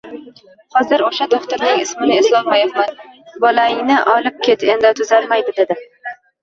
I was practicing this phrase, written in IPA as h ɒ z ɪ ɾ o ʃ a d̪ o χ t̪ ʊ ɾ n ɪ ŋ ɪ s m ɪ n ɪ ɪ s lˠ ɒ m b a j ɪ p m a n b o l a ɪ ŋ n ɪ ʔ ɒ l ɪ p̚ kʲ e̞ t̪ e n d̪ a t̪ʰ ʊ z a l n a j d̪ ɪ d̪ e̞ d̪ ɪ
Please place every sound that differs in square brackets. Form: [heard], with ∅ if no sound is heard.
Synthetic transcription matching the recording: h ɒ z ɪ ɾ o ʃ a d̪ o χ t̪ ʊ ɾ n ɪ ŋ ɪ s m ɪ n ɪ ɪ s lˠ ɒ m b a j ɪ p m a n b [ɒ] l a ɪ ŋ n ɪ ʔ ɒ l ɪ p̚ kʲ e̞ t̪ e n d̪ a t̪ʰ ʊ z a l [m] a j d̪ ɪ d̪ e̞ d̪ ɪ